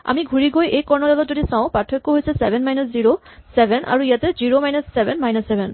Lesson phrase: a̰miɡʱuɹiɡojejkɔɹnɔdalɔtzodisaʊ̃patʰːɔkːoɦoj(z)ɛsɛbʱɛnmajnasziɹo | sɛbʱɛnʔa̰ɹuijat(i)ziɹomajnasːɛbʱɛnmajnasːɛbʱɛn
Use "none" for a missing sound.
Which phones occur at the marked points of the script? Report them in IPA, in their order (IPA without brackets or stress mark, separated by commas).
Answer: s, ɛ